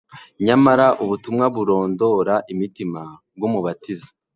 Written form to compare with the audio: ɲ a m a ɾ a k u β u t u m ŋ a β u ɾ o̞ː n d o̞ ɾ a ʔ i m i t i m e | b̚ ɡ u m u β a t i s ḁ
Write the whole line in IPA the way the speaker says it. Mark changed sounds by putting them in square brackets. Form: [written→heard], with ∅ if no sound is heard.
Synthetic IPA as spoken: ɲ a m a ɾ a [k→ʔ] u β u t u m ŋ a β u ɾ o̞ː n d o̞ ɾ a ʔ i m i t i m [e→a] | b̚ ɡ u m u β a t i [s→z] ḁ